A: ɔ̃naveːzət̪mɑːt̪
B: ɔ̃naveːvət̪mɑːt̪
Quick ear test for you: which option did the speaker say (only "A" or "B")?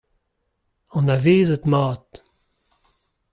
A